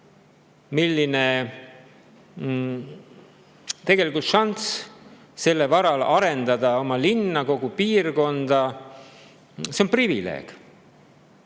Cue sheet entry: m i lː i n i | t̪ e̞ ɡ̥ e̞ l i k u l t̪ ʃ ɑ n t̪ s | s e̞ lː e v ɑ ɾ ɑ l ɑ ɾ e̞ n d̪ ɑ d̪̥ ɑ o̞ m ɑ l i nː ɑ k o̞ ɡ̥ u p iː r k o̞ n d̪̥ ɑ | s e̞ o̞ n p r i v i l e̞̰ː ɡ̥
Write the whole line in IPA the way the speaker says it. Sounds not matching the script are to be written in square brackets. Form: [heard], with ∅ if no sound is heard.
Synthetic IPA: m i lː i n [e] | t̪ e̞ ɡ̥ e̞ l i k u l t̪ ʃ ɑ n t̪ s | s e̞ lː e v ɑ ɾ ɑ l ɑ ɾ e̞ n d̪ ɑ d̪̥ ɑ o̞ m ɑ l i nː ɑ k o̞ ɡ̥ u p iː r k o̞ n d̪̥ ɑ | s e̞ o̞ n p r i v i l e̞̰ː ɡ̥

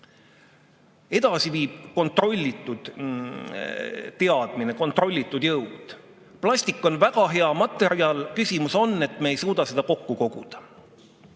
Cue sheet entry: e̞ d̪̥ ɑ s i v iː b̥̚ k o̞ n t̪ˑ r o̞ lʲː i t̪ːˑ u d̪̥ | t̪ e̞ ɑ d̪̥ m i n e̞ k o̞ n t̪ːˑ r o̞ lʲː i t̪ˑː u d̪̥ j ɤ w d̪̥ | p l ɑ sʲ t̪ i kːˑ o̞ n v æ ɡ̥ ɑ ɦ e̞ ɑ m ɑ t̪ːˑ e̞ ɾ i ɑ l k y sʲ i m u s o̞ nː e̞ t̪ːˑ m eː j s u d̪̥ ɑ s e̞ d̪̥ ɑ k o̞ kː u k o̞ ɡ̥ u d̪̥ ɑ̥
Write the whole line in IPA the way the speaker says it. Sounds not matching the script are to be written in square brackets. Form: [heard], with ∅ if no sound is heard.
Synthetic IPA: e̞ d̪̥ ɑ s i v iː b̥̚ k o̞ n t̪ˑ r o̞ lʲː i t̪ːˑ u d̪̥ | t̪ e̞ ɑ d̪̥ m i n e̞ k o̞ n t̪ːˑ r o̞ lʲː i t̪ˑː u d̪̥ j ɤ w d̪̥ | p l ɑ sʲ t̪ i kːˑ o̞ n v æ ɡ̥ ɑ ɦ e̞ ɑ m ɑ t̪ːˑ e̞ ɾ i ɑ l k y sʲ i m u s o̞ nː e̞ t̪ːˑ m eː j s [uː] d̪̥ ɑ s e̞ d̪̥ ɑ k o̞ kː u k o̞ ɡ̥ u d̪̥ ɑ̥

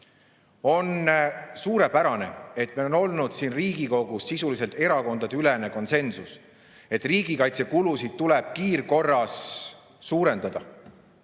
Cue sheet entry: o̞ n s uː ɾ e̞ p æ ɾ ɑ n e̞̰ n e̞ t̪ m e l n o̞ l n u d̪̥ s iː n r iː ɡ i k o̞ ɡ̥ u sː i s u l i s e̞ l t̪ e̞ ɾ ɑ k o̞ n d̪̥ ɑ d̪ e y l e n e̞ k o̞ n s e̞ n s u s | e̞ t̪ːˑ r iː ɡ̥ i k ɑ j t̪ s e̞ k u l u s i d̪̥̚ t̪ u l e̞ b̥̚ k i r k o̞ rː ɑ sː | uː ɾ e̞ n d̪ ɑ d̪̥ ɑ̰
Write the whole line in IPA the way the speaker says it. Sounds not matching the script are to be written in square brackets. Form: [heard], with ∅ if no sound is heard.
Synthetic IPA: o̞ n s uː ɾ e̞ p æ ɾ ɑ n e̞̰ [∅] e̞ t̪ m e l n o̞ l n u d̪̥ s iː n r iː ɡ i k o̞ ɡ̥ u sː i s u l i s e̞ l t̪ e̞ ɾ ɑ k o̞ n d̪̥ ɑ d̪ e y l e n e̞ k o̞ n s e̞ n s u s | e̞ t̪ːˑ r iː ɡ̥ i k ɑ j t̪ s e̞ k u l u s i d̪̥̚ t̪ u l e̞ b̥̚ k [iː] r k o̞ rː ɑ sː | uː ɾ e̞ n d̪ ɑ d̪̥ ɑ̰

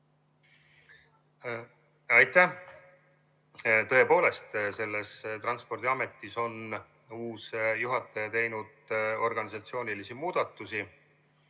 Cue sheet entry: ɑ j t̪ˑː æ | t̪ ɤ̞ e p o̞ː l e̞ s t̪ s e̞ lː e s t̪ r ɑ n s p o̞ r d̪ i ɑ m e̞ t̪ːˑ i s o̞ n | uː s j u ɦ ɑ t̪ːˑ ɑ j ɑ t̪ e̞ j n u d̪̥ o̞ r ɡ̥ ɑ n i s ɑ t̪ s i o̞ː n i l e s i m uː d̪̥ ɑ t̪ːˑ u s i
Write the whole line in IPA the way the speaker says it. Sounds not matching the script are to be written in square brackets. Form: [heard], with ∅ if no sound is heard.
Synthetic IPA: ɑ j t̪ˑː æ | t̪ ɤ̞ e p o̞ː l e̞ s t̪ s e̞ lː e s t̪ r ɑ n s p o̞ r d̪ i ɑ m e̞ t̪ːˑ i s o̞ n | uː s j u ɦ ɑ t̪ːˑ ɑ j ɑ t̪ e̞ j n u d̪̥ o̞ r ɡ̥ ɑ n i s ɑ t̪ s i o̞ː n i l [i] s i m uː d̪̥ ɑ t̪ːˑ u s i

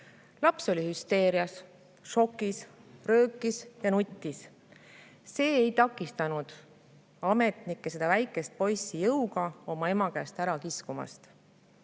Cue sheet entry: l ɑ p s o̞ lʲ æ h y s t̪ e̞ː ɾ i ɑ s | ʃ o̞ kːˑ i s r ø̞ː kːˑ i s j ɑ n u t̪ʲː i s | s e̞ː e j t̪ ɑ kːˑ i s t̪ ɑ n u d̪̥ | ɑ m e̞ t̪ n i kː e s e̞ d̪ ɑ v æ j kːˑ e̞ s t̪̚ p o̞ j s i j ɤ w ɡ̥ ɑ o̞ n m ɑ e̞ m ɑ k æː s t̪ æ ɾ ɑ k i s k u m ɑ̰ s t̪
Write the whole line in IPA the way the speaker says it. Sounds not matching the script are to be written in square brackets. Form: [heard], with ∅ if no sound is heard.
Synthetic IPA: l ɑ p s o̞ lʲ [i] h y s t̪ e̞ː ɾ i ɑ s | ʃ o̞ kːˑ i s r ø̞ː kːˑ i s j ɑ n u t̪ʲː i s | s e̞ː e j t̪ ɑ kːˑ i s t̪ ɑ n u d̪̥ | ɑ m e̞ t̪ n i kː e s e̞ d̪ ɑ v æ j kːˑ e̞ s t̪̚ p o̞ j s i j ɤ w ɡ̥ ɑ o̞ [∅] m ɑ e̞ m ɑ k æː s t̪ æ ɾ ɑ k i s k u m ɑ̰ s t̪

